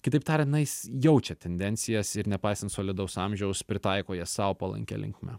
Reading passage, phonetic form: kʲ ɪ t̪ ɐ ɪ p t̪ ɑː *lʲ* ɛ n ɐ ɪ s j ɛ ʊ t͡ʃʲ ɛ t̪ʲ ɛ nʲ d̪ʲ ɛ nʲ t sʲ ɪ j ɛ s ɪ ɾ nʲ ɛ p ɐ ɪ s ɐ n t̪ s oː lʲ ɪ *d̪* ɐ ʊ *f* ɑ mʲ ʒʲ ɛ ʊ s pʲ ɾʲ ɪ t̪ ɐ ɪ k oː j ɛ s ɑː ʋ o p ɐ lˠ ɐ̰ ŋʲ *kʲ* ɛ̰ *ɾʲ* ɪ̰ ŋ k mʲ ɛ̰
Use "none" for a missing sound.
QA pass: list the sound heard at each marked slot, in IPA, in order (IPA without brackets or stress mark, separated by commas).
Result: ɾʲ, d̪, s, kʲ, lʲ